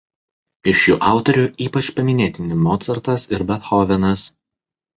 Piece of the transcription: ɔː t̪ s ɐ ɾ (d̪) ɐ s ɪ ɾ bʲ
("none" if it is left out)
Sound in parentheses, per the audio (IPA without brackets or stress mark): t̪